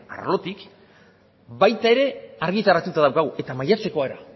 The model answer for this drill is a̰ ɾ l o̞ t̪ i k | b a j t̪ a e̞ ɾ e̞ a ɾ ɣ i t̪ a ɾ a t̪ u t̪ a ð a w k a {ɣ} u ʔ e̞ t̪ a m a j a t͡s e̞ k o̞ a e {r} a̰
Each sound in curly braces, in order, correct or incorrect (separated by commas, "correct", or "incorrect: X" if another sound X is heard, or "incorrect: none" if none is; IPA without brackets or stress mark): correct, incorrect: ɾ